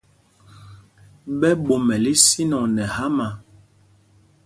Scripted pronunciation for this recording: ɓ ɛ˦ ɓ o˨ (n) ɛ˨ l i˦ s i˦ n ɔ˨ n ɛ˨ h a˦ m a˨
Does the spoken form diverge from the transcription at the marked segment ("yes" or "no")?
yes